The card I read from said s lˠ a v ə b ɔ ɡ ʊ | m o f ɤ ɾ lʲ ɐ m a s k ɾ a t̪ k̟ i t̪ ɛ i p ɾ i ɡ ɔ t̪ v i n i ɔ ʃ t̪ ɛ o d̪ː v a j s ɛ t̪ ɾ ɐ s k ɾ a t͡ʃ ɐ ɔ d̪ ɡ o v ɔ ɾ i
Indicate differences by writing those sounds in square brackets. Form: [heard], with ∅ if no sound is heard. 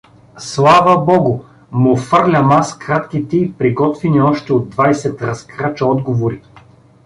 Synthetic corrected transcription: s lˠ a v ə b ɔ ɡ ʊ | m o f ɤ ɾ lʲ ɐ m a s k ɾ a t̪ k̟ i t̪ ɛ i p ɾ i ɡ ɔ t̪ v i n i ɔ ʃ t̪ ɛ o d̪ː v a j s ɛ t̪ ɾ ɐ s k ɾ a t͡ʃ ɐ ɔ d̪ ɡ o v [o] ɾ i